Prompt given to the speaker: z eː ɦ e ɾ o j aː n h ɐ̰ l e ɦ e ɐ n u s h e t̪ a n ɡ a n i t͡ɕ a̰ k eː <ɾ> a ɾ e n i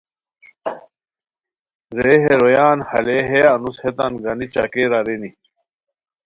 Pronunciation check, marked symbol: correct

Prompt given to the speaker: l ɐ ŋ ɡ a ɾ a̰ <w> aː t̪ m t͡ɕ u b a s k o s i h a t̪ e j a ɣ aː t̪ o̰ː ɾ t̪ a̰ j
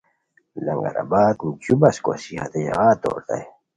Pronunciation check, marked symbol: incorrect: b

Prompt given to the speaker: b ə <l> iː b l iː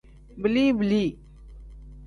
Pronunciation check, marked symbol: correct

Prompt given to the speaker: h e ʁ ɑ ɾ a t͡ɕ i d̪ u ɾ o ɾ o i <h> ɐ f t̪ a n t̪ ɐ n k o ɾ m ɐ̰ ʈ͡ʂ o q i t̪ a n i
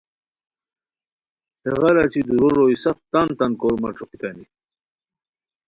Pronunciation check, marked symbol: incorrect: s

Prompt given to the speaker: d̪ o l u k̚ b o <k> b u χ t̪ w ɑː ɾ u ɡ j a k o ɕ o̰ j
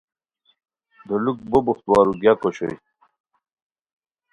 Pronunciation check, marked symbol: incorrect: none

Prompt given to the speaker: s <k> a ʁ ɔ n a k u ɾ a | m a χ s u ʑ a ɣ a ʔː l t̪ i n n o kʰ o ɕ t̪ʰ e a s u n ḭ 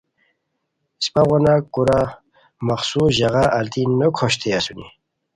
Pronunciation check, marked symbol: incorrect: p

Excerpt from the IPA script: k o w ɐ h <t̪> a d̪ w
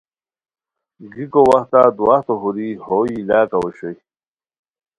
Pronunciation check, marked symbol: correct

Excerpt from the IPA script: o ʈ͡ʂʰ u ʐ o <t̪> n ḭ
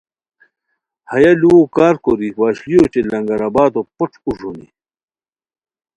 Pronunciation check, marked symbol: incorrect: none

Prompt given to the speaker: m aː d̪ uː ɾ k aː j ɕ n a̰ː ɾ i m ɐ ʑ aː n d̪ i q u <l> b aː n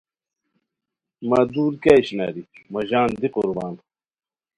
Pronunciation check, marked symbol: incorrect: ɾ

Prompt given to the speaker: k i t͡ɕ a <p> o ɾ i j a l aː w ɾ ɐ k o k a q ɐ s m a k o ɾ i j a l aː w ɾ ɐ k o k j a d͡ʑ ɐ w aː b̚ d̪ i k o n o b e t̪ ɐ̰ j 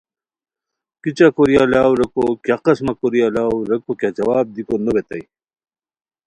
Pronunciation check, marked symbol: incorrect: k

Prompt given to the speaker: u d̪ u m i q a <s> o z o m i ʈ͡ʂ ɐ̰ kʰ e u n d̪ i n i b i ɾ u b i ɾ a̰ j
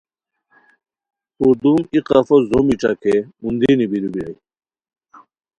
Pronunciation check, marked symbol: incorrect: f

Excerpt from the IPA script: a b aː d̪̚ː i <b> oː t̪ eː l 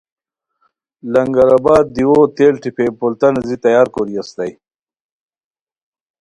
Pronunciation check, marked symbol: incorrect: w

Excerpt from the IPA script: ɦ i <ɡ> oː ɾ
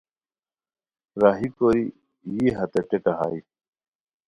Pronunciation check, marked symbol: incorrect: k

